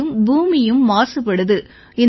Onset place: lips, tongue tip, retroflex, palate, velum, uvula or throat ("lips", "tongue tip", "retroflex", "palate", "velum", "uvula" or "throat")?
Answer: lips